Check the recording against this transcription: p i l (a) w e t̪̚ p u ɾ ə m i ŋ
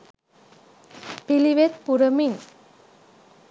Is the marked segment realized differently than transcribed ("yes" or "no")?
yes